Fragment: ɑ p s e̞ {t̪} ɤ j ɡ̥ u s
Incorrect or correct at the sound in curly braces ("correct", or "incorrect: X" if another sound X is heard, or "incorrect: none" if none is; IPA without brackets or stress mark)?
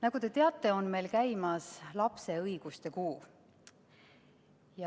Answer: incorrect: none